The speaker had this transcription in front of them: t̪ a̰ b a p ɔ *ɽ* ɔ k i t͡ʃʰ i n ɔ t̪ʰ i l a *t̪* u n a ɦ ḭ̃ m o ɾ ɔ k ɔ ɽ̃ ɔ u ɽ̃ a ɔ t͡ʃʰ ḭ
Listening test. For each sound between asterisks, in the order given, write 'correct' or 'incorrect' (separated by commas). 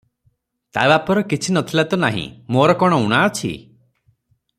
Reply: incorrect, correct